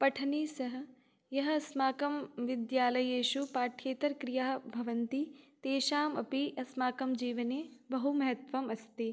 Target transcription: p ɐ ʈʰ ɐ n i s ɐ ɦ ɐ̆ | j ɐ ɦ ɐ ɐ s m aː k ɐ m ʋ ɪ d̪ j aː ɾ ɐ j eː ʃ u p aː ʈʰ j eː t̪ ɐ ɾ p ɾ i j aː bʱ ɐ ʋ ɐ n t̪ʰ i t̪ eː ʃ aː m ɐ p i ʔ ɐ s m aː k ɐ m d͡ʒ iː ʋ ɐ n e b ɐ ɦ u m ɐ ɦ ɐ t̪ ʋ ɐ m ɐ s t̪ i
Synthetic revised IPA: p ɐ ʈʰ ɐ n i s ɐ ɦ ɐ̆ | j ɐ ɦ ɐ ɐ s m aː k ɐ m ʋ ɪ d̪ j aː l ɐ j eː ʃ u p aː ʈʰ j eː t̪ ɐ ɾ k ɾ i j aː bʱ ɐ ʋ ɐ n t̪ i t̪ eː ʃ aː m ɐ p i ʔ ɐ s m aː k ɐ m d͡ʒ iː ʋ ɐ n e b ɐ ɦ u m ɐ ɦ ɐ t̪ ʋ ɐ m ɐ s t̪ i